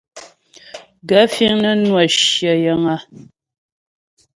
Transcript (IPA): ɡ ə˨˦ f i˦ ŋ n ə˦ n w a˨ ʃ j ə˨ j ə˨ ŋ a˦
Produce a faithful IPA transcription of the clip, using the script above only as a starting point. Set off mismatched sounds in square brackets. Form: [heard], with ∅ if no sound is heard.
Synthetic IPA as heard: ɡ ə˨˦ f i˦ ŋ n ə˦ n w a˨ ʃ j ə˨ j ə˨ ŋ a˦